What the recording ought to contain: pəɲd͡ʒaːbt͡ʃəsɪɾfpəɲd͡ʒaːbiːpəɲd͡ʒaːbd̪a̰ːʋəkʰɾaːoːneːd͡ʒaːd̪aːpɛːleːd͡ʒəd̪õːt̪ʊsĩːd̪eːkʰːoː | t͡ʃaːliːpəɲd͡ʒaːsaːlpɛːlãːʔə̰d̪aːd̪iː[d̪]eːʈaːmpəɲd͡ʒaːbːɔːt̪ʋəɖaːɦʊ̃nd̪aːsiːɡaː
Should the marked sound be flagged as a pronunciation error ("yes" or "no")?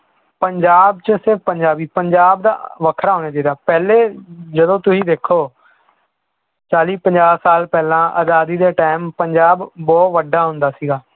no